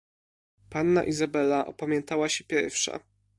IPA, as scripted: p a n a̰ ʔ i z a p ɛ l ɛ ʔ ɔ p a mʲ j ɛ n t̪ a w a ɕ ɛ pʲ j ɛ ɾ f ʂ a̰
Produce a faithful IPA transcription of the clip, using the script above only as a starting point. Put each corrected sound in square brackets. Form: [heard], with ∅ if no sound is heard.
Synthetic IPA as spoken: p a [nː] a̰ ʔ i z a [b] ɛ l [a] ʔ ɔ p a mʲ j ɛ n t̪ a w a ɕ ɛ pʲ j ɛ ɾ f ʂ a̰